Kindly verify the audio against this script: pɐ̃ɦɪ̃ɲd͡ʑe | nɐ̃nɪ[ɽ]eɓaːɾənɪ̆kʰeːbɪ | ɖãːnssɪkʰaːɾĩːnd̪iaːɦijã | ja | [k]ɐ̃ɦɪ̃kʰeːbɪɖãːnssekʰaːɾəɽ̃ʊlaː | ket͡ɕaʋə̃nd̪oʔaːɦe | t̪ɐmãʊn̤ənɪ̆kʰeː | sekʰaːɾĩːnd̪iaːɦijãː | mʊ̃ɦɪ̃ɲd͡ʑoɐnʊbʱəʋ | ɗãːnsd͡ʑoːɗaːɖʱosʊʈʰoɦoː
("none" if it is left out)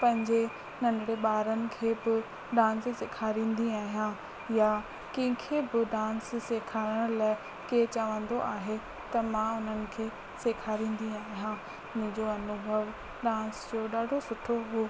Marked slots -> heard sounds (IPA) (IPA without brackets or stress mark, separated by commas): ɽ, k